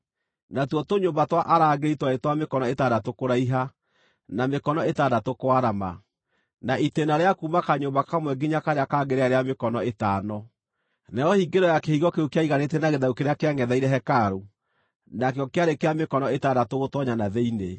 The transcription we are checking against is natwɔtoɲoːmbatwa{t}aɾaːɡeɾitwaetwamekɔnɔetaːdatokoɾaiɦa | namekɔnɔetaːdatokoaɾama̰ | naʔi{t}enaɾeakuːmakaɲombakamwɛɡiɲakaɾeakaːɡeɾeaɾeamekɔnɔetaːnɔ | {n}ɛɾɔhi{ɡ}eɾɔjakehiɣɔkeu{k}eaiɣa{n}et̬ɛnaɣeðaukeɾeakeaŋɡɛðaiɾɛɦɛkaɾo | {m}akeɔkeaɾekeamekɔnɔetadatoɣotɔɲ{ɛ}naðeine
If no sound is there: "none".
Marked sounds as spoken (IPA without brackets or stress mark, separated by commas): ʔ, t, n, ɡ, k, n, n, a